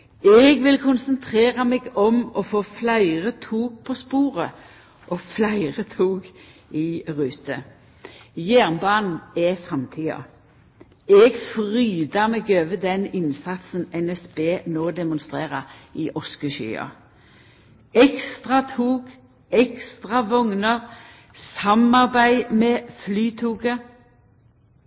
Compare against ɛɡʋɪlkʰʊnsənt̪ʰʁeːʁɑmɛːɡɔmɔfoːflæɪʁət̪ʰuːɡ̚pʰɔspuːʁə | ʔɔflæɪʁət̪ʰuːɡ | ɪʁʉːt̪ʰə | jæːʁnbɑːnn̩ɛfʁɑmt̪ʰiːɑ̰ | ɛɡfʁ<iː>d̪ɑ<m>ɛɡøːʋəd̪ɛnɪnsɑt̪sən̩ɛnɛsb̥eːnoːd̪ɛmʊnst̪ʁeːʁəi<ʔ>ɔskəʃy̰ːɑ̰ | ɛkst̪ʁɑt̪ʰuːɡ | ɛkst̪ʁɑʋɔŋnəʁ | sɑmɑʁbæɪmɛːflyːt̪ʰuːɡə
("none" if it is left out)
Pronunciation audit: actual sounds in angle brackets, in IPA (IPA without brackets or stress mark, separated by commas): yː, m, ʔ